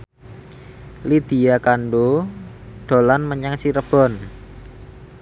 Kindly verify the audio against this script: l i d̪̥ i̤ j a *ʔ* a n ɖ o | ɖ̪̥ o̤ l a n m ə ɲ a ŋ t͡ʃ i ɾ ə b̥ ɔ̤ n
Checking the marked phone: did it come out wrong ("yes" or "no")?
yes